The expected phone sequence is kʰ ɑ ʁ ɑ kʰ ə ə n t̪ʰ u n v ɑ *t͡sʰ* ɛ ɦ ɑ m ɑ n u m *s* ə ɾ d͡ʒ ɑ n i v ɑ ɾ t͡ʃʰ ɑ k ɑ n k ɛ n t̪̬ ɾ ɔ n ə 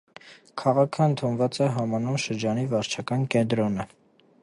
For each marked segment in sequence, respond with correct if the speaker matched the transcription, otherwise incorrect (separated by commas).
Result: incorrect, incorrect